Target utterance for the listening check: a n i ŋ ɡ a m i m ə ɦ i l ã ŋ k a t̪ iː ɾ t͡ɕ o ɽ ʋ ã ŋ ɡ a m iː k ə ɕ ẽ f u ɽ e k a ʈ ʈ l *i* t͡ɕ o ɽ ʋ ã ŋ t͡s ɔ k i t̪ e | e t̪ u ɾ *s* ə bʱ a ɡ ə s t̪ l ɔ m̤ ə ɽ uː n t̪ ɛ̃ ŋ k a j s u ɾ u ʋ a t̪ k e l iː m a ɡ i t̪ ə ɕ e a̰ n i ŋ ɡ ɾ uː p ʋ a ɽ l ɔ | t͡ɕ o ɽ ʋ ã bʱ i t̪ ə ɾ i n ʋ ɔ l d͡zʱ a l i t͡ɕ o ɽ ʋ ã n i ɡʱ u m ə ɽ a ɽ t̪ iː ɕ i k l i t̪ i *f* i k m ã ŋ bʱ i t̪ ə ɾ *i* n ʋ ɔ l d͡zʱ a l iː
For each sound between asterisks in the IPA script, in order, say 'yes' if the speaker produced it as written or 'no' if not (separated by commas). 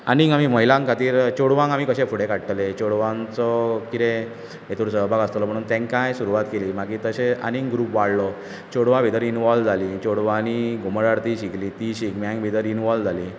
no, yes, no, yes